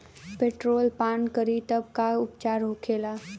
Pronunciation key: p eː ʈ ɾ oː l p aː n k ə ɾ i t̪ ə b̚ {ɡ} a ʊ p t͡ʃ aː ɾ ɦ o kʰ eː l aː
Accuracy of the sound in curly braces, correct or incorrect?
incorrect